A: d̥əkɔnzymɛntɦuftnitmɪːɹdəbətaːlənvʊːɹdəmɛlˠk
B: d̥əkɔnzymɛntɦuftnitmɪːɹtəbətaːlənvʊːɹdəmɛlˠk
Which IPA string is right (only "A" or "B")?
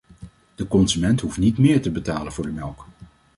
B